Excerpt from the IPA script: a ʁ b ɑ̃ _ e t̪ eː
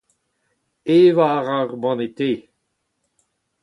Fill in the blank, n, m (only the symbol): n